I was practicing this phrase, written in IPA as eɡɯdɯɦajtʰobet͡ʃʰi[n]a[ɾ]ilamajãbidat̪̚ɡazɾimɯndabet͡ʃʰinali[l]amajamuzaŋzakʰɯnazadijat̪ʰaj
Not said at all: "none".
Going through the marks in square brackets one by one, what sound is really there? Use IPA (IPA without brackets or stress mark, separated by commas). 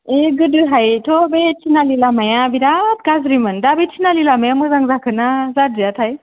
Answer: n, l, l